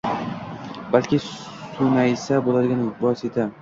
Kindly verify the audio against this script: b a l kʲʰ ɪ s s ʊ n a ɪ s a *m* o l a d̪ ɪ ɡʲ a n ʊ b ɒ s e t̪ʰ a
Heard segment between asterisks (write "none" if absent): b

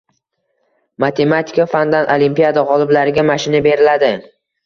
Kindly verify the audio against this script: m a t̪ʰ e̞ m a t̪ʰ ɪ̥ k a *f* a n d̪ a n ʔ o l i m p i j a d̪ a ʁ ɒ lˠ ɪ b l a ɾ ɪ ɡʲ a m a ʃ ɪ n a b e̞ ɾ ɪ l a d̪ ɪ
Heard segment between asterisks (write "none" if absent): f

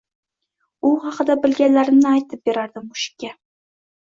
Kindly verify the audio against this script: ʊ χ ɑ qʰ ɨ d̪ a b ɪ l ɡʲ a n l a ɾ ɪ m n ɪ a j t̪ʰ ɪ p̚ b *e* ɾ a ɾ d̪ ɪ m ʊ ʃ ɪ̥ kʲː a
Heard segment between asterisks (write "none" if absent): e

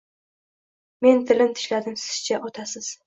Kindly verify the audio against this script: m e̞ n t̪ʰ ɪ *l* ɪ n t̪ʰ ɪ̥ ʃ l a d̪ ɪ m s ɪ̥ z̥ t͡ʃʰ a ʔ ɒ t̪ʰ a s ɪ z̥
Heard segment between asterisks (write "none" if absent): l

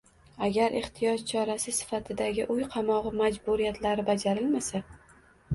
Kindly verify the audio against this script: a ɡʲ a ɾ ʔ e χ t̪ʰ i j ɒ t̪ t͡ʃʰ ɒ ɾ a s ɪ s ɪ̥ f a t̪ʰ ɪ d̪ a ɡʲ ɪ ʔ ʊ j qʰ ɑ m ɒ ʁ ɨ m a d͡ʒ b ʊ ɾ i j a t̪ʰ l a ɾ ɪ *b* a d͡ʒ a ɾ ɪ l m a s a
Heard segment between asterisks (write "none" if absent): b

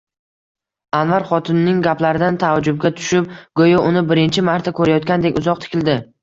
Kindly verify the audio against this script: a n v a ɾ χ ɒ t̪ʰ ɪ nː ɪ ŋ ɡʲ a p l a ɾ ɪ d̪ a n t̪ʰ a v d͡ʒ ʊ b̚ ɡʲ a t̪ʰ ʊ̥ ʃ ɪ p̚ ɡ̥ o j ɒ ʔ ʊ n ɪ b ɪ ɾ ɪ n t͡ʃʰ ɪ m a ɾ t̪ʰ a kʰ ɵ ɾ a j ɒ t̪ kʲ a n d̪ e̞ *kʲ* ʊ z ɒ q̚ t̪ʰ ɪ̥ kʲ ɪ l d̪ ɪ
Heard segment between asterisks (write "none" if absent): kʲ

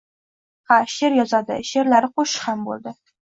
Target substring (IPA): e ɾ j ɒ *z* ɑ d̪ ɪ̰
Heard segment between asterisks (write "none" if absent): z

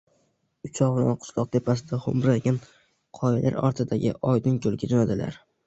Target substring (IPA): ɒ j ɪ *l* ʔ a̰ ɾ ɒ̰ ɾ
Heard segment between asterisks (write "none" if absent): l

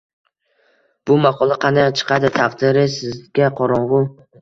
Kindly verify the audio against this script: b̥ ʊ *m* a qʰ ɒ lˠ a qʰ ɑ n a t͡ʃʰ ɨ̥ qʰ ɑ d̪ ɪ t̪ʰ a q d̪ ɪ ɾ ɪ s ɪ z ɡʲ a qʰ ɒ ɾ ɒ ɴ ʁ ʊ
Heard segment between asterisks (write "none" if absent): m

